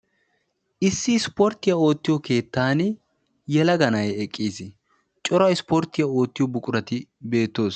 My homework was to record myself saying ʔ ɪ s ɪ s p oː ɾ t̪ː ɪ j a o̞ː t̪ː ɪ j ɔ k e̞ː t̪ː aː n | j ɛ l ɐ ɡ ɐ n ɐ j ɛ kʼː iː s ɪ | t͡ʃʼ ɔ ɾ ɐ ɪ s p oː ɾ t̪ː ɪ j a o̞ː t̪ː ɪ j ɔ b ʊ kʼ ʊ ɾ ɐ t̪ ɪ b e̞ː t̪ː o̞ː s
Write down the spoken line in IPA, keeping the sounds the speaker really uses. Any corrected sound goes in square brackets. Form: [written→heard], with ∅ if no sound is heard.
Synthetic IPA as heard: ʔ ɪ [s→sː] ɪ s p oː ɾ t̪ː ɪ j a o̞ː t̪ː ɪ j ɔ k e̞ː t̪ː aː n | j ɛ l ɐ ɡ ɐ n ɐ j ɛ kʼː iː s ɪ | t͡ʃʼ ɔ ɾ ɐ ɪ s p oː ɾ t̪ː ɪ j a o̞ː t̪ː ɪ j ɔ b ʊ kʼ ʊ ɾ ɐ t̪ ɪ b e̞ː t̪ː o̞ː s